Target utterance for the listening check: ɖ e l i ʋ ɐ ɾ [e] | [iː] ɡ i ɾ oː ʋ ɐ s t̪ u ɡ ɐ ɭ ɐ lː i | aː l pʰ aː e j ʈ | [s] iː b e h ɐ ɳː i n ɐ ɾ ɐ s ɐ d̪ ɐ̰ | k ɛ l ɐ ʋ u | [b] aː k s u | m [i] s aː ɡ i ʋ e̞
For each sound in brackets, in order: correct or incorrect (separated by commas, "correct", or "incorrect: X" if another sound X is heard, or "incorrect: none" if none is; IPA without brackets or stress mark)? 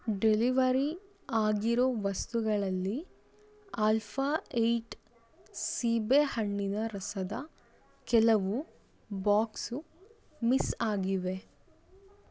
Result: incorrect: i, incorrect: aː, correct, correct, correct